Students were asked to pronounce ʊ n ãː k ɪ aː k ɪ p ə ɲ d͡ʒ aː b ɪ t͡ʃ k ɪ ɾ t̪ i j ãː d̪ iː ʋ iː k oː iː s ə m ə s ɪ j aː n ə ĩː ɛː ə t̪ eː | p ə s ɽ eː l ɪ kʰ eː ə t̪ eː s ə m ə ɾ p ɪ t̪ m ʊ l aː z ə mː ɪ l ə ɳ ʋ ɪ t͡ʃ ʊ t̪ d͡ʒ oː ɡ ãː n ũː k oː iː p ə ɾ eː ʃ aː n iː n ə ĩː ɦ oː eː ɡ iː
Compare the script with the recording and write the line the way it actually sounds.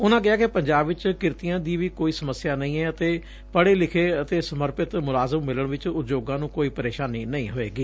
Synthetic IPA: ʊ n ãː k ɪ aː k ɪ p ə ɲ d͡ʒ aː b ɪ t͡ʃ k ɪ ɾ t̪ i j ãː d̪ iː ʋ iː k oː iː s ə m ə s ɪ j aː n ə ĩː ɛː ə t̪ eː | p ə ɽ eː l ɪ kʰ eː ə t̪ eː s ə m ə ɾ p ɪ t̪ m ʊ l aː z ə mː ɪ l ə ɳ ʋ ɪ t͡ʃ ʊ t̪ d͡ʒ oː ɡ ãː n ũː k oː iː p ə ɾ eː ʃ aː n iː n ə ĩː ɦ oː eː ɡ iː